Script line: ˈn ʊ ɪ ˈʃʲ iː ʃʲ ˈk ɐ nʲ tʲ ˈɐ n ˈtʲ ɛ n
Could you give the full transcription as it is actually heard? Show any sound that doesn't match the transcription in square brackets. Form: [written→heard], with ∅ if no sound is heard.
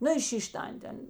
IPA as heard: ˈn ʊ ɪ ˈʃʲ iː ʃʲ [ˈk→ˈt] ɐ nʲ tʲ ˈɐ n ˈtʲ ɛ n